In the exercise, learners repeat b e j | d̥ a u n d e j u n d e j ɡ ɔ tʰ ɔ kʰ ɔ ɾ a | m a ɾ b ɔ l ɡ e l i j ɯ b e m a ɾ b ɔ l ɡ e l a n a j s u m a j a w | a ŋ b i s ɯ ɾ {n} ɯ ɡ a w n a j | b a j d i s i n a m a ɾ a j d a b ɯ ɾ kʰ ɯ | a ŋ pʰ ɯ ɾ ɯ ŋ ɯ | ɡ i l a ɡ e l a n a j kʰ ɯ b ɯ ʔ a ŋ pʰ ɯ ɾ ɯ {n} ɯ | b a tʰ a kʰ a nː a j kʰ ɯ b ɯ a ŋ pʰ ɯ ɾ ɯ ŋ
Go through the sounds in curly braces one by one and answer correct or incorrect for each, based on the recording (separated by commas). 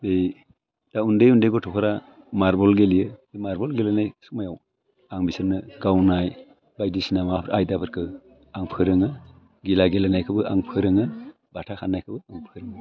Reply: correct, incorrect